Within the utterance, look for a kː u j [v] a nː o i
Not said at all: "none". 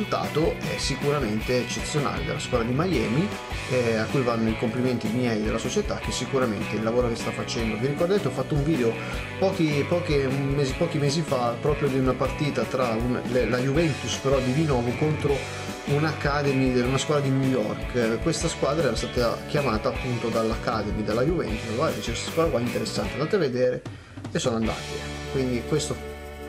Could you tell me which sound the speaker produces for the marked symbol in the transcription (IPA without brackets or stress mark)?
v